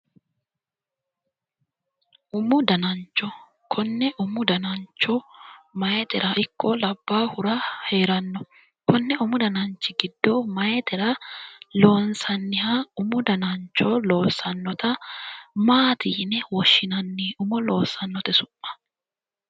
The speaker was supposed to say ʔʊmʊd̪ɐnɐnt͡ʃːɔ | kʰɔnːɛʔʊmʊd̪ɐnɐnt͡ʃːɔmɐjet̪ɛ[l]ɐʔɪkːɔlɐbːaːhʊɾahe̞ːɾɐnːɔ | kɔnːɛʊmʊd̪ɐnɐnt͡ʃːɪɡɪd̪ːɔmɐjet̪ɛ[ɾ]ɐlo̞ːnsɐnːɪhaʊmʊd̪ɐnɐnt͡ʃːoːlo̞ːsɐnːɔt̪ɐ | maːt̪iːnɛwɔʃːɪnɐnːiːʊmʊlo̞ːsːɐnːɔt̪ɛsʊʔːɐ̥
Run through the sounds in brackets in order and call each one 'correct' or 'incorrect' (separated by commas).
incorrect, correct